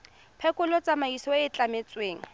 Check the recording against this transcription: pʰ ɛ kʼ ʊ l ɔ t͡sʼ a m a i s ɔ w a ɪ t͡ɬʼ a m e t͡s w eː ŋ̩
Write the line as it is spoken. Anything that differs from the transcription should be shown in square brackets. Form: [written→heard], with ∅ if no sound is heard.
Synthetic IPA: pʰ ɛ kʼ ʊ l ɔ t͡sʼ a m a i s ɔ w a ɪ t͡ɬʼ a m e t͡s w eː ŋ̩